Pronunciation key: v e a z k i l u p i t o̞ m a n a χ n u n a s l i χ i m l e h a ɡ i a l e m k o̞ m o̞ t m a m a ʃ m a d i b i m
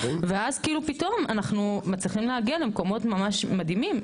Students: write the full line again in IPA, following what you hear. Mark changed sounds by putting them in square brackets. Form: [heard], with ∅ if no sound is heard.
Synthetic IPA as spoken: v e a z k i l u p i t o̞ m a n a χ n u [m] a [t͡s] l i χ i m l e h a ɡ i a l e m k o̞ m o̞ t m a m a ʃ m a d i [m] i m